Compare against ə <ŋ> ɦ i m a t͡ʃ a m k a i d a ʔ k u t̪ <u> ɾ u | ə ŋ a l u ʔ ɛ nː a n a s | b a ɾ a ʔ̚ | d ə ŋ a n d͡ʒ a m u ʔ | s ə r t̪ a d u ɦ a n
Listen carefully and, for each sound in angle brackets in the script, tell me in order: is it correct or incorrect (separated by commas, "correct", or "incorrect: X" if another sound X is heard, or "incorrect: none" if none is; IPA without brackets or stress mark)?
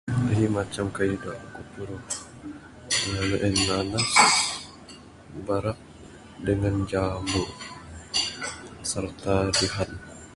incorrect: none, correct